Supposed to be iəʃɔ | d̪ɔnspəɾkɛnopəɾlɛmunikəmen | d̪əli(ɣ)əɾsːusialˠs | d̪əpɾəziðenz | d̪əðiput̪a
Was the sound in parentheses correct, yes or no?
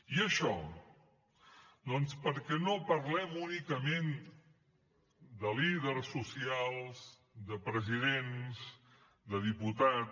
no